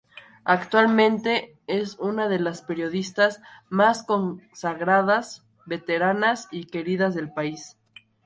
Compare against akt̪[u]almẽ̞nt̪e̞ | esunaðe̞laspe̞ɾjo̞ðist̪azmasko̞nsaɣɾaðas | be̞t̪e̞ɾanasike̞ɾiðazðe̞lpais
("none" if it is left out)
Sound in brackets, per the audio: w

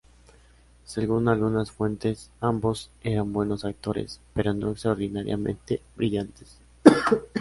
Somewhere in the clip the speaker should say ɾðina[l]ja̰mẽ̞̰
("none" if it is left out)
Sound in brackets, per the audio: ɾ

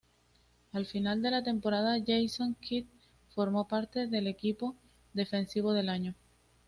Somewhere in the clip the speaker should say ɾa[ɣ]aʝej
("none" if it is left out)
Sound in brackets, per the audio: ð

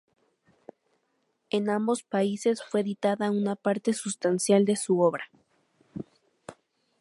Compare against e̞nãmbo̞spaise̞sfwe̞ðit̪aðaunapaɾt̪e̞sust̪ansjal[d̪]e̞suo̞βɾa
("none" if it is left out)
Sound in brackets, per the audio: d̪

